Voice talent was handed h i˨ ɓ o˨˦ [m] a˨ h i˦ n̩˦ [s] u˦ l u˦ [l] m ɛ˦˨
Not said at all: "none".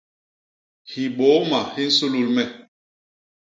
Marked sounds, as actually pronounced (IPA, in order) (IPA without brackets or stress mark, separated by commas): m, s, l